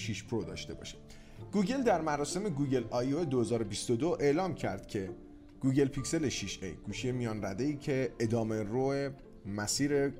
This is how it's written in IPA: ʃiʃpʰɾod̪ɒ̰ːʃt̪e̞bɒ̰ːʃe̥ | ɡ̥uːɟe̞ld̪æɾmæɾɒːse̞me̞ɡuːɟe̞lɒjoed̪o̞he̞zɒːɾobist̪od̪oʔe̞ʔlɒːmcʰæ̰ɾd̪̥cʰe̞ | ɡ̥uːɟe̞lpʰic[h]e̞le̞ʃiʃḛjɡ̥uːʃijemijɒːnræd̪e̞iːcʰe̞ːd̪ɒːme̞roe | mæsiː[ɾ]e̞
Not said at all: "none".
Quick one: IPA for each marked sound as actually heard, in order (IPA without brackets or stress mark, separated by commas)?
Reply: s, ɾ